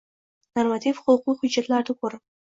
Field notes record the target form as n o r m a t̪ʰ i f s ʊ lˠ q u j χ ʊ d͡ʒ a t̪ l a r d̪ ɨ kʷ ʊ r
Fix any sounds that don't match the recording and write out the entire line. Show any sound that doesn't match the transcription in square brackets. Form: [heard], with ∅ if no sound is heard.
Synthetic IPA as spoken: n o r m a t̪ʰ i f [χ] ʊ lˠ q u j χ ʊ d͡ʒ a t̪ l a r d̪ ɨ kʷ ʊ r